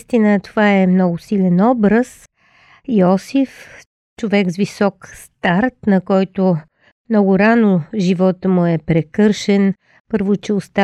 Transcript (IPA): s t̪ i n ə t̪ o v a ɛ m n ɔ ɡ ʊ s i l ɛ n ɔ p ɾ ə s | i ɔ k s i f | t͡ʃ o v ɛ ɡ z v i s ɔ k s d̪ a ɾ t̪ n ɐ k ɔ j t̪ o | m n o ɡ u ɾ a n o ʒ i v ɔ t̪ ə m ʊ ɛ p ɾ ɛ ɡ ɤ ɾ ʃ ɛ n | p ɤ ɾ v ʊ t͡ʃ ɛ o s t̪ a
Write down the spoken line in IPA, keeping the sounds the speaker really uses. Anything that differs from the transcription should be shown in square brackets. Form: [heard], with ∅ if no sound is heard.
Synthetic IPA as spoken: s t̪ i n ə t̪ o v a ɛ m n ɔ ɡ ʊ s i l ɛ n ɔ [b] ɾ ə s | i ɔ [∅] s i f | t͡ʃ o v ɛ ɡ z v i s ɔ k s [t̪] a ɾ t̪ n ɐ k ɔ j t̪ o | m n [ɔ] ɡ [ʊ] ɾ a n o ʒ i v ɔ t̪ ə m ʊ ɛ p ɾ ɛ [k] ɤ ɾ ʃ ɛ n | p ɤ ɾ v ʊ t͡ʃ ɛ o s t̪ a